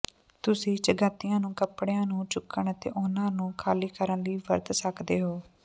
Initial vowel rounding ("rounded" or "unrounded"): rounded